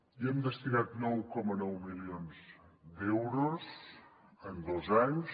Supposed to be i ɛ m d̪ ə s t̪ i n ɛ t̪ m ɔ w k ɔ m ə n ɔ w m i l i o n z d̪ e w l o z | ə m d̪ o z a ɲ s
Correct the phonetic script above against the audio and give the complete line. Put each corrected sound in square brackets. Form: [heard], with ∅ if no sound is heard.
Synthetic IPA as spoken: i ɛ m d̪ ə s t̪ i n [a] t̪ [n] ɔ w k ɔ m ə n ɔ w m i l i o n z d̪ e w [ɾ] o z | ə [n] d̪ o z a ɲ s